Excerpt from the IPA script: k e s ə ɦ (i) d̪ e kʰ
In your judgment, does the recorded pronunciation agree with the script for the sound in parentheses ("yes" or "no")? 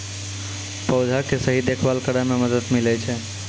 yes